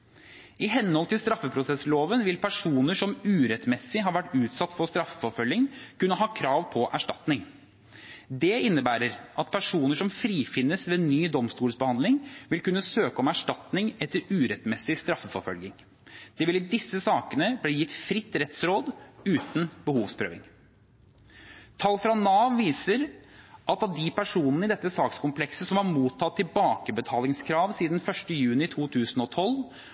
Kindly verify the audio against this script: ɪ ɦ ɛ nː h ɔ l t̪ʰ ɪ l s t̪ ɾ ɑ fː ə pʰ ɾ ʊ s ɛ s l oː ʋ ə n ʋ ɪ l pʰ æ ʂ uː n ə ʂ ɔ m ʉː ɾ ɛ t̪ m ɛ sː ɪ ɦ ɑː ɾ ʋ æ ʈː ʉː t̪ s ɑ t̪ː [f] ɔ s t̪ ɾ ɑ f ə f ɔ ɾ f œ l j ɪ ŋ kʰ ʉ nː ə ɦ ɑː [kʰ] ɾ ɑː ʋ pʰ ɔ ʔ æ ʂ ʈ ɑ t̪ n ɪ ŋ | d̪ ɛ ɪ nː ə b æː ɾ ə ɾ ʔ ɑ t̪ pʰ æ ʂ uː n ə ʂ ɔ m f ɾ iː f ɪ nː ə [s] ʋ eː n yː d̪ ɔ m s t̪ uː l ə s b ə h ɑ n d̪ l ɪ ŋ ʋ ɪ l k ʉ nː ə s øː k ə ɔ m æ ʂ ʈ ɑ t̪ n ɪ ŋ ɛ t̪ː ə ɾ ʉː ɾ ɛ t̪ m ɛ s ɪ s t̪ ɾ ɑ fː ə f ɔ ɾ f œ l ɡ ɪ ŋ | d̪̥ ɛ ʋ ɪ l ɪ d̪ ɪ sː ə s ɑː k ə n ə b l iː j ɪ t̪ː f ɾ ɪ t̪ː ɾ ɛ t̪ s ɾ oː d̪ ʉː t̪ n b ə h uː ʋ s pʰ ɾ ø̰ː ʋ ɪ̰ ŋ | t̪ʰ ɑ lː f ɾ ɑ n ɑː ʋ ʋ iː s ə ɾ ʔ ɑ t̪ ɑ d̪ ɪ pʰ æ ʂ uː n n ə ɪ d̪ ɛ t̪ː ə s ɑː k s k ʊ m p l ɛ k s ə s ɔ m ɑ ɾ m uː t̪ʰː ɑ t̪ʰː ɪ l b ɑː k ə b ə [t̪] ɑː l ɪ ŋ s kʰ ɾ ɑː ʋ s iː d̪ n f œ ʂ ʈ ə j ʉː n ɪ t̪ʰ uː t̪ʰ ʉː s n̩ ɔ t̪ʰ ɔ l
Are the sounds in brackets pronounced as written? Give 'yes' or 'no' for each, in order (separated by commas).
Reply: yes, yes, yes, no